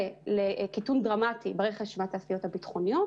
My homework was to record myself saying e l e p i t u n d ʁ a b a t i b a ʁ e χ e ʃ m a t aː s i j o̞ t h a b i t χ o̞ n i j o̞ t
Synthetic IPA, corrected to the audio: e l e k i t u n d ʁ a m a t i b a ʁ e χ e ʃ m a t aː s i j o̞ t h a b i t χ o̞ n i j o̞ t